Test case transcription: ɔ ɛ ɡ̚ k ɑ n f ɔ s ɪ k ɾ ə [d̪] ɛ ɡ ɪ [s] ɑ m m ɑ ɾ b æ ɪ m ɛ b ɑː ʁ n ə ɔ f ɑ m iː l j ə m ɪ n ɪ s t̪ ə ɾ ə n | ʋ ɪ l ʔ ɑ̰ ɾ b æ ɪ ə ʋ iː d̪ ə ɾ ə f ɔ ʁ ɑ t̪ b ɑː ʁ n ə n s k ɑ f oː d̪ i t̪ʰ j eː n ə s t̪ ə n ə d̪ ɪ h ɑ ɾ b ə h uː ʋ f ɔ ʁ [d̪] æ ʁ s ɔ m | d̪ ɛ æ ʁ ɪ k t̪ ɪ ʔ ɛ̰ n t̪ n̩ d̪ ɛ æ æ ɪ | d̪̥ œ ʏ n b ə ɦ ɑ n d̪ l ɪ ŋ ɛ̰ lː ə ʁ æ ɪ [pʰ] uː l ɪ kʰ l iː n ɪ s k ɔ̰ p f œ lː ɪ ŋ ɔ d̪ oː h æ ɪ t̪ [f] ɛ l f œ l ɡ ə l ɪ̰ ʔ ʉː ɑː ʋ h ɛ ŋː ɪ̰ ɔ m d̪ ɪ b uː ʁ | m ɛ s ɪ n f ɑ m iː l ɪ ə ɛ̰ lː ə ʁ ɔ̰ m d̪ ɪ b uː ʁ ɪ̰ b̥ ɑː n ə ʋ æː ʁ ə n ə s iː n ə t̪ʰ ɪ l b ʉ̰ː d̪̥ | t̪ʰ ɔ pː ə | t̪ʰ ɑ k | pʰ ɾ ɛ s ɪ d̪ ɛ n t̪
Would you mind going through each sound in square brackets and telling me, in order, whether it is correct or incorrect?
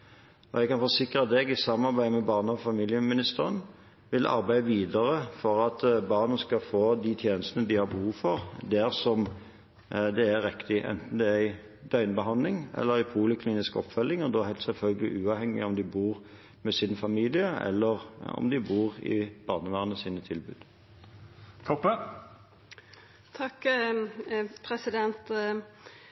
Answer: correct, correct, correct, correct, incorrect: s

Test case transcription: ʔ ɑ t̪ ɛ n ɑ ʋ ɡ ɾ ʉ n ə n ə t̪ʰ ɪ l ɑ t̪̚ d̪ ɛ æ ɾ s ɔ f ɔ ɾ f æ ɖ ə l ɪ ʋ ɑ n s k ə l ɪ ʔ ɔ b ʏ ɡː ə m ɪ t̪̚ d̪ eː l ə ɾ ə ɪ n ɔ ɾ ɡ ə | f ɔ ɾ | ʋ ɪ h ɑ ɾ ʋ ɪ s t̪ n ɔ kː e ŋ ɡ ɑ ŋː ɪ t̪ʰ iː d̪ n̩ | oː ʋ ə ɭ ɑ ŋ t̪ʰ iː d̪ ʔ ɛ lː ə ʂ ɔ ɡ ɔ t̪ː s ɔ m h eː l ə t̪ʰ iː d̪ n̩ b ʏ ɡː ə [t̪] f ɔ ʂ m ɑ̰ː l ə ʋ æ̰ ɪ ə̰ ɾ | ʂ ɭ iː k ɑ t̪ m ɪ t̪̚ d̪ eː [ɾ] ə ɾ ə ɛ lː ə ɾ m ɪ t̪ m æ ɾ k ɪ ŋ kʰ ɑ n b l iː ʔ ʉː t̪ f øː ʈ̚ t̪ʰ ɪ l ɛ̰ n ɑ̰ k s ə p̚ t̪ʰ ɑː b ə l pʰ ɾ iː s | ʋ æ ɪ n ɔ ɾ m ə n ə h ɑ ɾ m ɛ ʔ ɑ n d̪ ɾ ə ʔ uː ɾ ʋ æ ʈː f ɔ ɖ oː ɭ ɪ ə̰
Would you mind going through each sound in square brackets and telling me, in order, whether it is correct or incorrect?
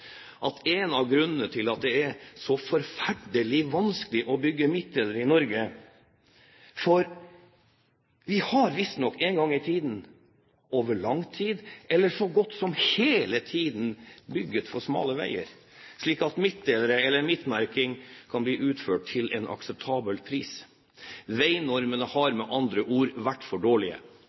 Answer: correct, incorrect: l

